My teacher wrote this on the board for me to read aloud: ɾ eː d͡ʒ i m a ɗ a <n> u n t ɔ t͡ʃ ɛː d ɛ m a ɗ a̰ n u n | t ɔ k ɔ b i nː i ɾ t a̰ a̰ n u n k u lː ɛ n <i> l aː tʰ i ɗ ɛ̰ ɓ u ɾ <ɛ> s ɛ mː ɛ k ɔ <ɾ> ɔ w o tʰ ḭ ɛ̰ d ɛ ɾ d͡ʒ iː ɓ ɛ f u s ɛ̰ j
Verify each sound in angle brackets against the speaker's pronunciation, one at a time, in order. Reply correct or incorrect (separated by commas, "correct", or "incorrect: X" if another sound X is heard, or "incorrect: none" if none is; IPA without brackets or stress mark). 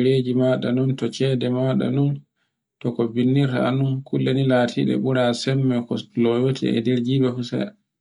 correct, correct, incorrect: a, incorrect: l